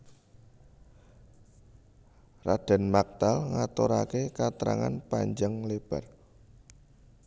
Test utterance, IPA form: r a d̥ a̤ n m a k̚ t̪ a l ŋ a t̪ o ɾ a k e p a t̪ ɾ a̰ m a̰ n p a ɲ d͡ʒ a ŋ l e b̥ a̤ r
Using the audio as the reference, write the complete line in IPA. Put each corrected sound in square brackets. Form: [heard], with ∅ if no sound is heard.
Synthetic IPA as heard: r a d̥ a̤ n m a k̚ t̪ a l ŋ a t̪ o ɾ a k e [k] a t̪ ɾ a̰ [ŋ] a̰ n p a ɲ d͡ʒ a ŋ l e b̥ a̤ r